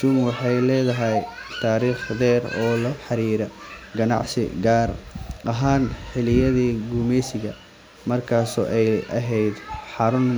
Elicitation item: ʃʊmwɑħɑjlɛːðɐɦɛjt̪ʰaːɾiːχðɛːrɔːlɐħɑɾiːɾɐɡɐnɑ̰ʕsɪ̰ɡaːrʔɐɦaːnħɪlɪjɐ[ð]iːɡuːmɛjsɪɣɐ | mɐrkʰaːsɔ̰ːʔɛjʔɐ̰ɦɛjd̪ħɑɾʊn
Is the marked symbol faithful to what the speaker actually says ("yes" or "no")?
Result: yes